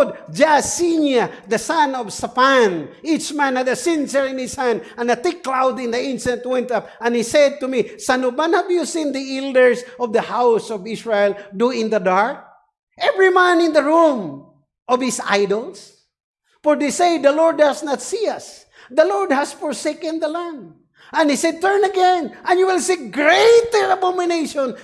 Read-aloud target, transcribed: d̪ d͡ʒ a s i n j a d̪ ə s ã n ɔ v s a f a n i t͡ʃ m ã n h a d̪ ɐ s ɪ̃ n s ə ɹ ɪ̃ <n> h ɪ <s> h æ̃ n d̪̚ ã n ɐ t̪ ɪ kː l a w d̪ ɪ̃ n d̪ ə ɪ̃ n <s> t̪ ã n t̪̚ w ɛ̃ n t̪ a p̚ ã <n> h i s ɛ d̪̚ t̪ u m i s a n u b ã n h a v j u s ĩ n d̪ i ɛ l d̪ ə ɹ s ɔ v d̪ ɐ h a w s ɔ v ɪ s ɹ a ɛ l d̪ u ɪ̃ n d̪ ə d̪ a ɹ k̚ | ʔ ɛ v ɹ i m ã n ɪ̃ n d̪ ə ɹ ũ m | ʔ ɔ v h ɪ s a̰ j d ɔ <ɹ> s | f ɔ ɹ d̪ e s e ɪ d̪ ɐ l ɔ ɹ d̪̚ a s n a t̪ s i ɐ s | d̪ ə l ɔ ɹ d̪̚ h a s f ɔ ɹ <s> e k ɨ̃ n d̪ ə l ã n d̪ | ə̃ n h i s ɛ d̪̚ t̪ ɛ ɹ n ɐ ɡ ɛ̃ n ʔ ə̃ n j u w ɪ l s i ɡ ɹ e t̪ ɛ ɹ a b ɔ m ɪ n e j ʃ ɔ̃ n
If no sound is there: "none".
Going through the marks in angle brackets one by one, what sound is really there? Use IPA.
n, s, s, n, l, s

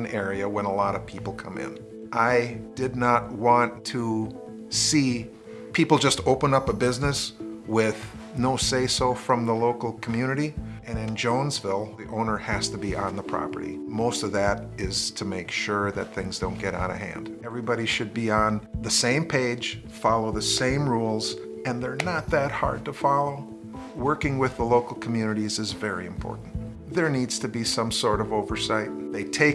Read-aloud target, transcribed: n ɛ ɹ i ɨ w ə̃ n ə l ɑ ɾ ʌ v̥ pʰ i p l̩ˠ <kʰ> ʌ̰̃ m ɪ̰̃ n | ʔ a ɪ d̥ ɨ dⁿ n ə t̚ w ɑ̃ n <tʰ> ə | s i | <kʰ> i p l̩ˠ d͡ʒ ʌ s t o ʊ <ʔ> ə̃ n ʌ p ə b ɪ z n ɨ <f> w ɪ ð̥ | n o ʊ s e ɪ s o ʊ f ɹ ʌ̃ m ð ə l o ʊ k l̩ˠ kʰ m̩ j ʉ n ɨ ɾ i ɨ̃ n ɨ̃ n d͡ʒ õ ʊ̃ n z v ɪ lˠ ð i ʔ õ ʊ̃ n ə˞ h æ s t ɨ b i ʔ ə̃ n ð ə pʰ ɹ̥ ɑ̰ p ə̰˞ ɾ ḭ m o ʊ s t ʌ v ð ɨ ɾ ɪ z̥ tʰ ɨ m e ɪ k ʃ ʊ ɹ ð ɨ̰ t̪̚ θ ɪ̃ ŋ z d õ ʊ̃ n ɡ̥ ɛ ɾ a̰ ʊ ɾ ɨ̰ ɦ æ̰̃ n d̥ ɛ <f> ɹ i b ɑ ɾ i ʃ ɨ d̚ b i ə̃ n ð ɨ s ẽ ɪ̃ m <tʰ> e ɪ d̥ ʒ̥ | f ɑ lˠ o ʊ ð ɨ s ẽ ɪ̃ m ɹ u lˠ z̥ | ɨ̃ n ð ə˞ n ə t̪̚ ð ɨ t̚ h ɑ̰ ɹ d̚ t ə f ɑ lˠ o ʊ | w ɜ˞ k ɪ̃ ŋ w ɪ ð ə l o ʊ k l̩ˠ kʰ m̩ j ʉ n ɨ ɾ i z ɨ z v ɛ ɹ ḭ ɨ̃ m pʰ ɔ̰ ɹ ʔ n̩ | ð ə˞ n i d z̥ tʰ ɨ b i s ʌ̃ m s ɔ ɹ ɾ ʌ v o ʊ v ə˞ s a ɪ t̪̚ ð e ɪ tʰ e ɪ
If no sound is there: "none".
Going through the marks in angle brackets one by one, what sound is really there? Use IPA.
kʰ, tʰ, pʰ, p, s, v, pʰ

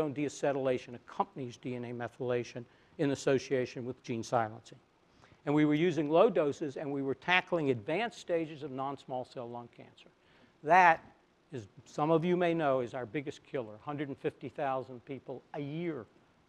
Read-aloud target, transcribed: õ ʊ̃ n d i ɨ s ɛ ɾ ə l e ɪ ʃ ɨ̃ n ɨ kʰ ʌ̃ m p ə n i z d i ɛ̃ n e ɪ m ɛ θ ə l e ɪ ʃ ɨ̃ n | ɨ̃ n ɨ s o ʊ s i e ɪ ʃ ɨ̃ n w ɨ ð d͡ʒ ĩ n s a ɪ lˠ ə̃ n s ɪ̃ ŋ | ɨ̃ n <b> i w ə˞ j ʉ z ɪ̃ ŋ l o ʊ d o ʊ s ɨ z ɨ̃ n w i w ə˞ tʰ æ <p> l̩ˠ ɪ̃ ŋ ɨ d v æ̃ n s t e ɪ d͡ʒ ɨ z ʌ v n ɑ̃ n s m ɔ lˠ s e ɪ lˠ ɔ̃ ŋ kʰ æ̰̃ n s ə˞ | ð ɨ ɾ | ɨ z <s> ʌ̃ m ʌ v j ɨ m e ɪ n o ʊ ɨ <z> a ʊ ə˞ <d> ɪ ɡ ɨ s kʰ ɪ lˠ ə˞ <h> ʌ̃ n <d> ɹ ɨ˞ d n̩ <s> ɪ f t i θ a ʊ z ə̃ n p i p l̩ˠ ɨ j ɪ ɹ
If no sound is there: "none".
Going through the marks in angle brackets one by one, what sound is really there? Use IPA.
w, k, s, z, b, h, d, f

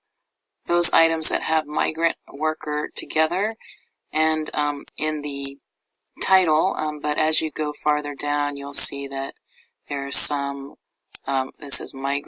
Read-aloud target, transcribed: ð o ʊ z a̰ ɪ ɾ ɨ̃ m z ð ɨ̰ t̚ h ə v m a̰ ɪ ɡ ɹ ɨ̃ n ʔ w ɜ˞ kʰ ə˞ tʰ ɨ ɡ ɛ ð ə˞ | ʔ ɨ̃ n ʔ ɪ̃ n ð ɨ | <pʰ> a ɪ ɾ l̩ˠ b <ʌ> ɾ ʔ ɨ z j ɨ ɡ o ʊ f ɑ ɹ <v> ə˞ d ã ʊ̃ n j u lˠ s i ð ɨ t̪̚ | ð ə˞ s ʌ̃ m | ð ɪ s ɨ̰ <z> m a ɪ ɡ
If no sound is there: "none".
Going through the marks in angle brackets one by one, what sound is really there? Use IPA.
tʰ, ʌ, ð, z

